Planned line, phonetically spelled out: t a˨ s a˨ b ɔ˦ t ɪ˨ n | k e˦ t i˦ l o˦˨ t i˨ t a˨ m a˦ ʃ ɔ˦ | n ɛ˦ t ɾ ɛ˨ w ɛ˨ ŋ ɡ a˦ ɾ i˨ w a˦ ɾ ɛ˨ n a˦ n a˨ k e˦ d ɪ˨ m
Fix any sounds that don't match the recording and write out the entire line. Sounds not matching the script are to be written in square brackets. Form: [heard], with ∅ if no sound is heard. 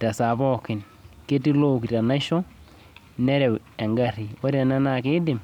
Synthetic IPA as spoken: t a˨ s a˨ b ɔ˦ [k] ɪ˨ n | k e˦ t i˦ l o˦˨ [k] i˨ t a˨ [n] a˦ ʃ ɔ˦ | n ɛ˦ [∅] ɾ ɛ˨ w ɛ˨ ŋ ɡ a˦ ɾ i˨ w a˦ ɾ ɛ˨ n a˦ n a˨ k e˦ d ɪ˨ m